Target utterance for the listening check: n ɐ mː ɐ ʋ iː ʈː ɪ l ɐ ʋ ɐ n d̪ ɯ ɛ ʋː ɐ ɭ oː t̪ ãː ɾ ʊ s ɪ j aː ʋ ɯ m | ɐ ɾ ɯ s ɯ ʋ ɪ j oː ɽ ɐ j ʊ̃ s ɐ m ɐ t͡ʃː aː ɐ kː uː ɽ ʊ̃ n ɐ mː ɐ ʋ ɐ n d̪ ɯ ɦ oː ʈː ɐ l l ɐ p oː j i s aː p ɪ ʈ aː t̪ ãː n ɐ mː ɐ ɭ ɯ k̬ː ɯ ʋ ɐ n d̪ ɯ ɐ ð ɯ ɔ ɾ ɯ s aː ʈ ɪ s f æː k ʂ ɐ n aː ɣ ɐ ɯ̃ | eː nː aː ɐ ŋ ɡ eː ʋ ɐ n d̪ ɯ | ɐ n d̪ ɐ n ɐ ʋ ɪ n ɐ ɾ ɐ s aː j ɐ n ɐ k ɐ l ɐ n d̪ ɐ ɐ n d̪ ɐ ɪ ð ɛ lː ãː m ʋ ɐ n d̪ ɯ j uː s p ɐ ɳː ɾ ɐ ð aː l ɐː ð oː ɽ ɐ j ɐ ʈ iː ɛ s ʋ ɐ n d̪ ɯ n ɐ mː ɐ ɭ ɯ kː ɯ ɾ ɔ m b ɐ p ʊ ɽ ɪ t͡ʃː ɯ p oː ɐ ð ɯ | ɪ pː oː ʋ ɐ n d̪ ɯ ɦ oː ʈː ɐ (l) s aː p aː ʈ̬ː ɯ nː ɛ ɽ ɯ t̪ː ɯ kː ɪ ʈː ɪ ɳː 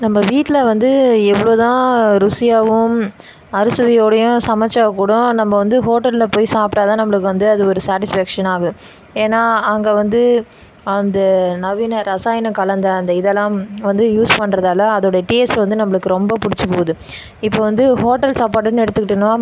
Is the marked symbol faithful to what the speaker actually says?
yes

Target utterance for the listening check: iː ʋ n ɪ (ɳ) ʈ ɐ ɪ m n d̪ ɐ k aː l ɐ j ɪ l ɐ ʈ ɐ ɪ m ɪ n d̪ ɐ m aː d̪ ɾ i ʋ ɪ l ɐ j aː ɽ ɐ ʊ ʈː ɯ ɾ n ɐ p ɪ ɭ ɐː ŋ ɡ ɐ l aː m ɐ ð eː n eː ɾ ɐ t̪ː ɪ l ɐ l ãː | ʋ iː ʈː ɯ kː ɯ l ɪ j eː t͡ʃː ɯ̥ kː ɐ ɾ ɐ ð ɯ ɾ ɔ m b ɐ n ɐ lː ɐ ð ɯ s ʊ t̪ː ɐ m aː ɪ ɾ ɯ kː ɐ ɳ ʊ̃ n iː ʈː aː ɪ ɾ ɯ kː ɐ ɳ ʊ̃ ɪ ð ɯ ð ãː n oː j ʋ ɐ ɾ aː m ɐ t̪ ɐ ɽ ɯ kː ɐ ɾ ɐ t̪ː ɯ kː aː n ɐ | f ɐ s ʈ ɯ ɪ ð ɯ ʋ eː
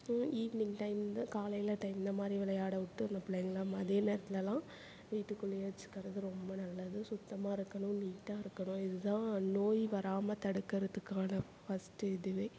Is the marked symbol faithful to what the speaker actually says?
no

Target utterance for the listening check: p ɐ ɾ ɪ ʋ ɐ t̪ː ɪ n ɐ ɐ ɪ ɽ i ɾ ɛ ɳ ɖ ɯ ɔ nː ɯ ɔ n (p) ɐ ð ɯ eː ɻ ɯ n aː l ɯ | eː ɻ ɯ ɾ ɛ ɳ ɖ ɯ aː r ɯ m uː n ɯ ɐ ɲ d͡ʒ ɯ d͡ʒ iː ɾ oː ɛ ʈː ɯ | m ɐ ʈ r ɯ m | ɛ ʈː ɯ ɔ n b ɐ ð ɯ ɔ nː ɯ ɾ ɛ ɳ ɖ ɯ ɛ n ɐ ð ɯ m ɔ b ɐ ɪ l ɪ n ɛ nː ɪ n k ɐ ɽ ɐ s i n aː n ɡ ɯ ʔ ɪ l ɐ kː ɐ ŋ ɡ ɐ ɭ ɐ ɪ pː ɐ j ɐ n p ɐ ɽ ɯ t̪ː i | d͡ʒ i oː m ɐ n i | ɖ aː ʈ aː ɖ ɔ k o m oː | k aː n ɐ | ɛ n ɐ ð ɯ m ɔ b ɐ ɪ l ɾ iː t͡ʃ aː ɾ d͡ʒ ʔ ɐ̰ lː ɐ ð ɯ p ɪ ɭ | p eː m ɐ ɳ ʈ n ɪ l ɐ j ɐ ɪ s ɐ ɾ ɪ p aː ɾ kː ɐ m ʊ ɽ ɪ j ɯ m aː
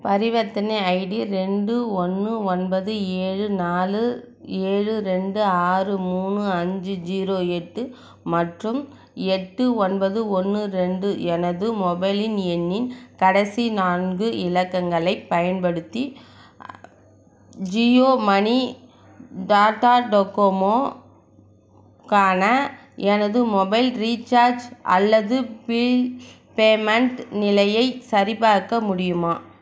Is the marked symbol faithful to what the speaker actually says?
no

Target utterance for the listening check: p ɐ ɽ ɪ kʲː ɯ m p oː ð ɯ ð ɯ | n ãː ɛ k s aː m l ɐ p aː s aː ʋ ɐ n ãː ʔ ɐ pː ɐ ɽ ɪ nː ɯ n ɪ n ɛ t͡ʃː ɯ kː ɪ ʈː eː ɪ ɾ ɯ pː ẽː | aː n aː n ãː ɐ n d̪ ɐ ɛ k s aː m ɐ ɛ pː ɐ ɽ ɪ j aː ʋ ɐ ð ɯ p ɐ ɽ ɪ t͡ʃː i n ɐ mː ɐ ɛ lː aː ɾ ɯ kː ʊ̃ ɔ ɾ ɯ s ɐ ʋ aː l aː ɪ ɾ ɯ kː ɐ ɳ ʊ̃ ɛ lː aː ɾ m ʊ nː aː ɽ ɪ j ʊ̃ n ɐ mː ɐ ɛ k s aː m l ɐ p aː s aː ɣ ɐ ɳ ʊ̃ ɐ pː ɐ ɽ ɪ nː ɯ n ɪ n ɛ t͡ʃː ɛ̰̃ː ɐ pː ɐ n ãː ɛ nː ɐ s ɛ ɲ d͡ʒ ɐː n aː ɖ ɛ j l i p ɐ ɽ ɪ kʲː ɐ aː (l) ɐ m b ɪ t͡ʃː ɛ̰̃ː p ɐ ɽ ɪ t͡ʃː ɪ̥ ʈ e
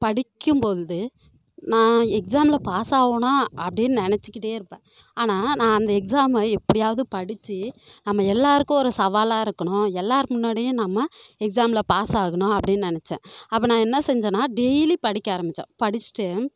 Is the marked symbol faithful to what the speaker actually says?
no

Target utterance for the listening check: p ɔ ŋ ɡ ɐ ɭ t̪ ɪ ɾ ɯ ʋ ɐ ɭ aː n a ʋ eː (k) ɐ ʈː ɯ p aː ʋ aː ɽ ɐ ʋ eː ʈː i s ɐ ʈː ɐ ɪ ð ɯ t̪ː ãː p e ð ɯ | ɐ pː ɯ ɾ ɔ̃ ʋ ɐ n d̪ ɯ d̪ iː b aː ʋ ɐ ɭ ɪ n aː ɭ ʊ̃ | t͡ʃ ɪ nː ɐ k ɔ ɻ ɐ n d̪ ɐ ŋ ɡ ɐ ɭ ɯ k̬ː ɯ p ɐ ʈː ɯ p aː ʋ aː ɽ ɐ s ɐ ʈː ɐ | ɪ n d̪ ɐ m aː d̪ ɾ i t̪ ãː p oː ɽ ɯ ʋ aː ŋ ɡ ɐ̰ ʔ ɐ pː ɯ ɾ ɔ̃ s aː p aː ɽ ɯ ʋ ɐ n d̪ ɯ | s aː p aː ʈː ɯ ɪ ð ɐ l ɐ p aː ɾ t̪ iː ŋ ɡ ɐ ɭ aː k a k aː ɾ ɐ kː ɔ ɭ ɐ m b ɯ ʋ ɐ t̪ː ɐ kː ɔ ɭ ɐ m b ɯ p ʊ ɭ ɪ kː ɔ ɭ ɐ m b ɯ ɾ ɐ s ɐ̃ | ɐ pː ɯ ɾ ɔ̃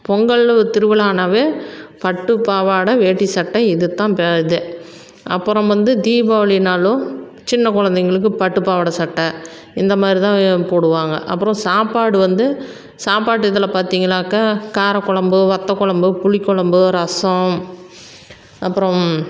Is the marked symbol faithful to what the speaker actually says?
no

